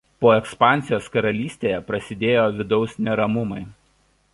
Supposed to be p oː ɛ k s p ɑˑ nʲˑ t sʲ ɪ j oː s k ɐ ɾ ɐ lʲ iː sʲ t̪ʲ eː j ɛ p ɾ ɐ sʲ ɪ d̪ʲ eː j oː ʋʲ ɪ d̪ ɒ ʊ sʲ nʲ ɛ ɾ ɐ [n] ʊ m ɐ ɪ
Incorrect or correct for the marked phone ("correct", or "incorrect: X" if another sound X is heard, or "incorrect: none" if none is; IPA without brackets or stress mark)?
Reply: incorrect: m